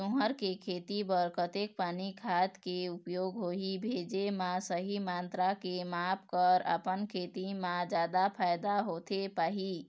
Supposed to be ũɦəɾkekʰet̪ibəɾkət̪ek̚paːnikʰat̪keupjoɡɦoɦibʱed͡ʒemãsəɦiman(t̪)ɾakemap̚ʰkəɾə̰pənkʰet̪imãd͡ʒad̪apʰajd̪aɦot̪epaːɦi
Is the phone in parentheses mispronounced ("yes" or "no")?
no